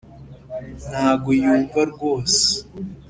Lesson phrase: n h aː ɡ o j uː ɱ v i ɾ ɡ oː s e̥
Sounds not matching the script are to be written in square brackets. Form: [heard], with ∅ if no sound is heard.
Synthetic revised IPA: n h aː ɡ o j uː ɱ v [a] ɾ ɡ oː s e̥